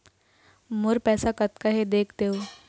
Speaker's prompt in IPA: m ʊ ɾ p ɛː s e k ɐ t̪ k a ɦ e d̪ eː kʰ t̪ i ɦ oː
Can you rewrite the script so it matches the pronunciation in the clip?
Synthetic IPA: m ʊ ɾ p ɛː s a k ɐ t̪ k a ɦ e d̪ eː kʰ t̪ e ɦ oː